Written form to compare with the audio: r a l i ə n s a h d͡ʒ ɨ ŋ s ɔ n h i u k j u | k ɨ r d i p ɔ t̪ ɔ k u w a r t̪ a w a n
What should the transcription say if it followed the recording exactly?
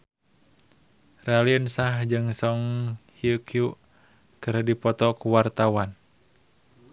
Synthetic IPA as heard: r a l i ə n s a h d͡ʒ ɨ ŋ s ɔ ŋ h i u k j u | k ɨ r d i p ɔ t̪ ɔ k u w a r t̪ a w a n